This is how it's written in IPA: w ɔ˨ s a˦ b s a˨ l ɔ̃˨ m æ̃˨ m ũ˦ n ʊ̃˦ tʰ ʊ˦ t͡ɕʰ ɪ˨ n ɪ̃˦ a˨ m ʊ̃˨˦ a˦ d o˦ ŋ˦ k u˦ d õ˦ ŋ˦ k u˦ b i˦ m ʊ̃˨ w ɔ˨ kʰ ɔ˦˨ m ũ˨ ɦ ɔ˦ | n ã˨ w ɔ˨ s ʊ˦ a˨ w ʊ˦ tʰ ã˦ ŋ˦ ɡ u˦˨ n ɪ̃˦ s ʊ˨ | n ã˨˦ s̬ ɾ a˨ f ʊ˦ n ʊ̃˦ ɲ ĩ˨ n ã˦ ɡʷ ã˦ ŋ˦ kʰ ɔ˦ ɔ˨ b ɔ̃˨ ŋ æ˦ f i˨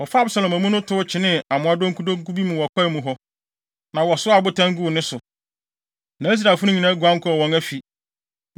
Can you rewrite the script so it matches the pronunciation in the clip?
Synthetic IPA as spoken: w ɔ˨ f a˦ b s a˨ l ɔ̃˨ m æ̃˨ m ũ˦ n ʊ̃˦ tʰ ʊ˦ t͡ɕʰ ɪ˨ n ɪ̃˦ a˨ m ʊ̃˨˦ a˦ d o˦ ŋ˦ k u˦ d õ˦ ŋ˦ k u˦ b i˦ m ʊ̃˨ w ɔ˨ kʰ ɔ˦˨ m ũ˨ ɦ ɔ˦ | n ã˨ w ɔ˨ s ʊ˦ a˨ b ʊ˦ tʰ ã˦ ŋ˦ ɡ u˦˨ n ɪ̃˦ s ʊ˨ | n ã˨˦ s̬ ɾ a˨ f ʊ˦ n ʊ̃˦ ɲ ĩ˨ n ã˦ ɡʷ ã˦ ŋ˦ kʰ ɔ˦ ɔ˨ w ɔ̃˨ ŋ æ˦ f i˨